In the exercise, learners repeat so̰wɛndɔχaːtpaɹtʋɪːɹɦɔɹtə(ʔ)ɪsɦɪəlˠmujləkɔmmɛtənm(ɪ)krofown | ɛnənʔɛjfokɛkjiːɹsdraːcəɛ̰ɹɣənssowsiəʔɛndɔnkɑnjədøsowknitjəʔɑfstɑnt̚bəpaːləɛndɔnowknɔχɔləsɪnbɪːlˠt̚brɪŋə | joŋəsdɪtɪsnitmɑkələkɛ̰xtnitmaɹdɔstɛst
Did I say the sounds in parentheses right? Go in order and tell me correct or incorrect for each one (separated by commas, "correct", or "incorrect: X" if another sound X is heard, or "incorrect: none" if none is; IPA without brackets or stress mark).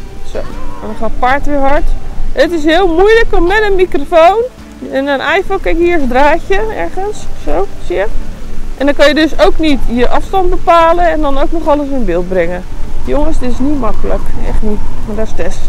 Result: incorrect: t, incorrect: i